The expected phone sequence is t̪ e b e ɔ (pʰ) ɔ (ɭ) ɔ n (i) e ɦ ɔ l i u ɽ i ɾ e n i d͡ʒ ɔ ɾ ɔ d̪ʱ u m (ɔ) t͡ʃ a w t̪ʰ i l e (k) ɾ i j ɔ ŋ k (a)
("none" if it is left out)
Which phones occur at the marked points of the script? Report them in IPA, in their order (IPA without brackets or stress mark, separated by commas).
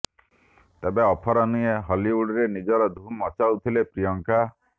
pʰ, ɾ, i, ɔ, p, a